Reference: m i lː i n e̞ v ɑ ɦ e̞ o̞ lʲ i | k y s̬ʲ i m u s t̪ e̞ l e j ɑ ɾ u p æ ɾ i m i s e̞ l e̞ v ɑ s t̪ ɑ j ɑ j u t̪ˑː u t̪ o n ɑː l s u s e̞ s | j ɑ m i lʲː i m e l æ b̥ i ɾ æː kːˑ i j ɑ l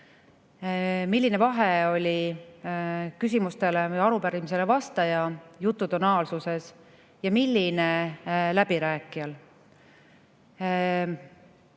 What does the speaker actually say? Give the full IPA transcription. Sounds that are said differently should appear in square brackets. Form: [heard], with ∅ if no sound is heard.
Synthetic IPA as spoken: m i lː i n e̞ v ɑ ɦ e̞ o̞ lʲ i | k y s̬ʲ i m u s t̪ e̞ l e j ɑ ɾ u p æ ɾ i m i s e̞ l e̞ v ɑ s t̪ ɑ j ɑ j u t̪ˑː u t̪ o n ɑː l s u s e̞ s | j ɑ m i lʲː i [n] e l æ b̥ i ɾ æː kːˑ i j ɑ l